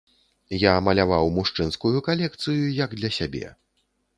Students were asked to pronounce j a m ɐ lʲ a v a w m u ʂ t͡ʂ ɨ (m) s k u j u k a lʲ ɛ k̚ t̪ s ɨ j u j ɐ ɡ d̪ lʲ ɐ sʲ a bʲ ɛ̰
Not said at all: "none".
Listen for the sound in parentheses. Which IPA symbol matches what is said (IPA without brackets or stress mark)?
n